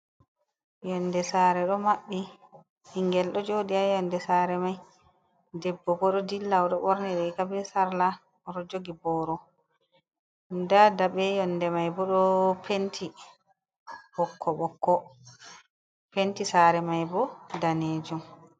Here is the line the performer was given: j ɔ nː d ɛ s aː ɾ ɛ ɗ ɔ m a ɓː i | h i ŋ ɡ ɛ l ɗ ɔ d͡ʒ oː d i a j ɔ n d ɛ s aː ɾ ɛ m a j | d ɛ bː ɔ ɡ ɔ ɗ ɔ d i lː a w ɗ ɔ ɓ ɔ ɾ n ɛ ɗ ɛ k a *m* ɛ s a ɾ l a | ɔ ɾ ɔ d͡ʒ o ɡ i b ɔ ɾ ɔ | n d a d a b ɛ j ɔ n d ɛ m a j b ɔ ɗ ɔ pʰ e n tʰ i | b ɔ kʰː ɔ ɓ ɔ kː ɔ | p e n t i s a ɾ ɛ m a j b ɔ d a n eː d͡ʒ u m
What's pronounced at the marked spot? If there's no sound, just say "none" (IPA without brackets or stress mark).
b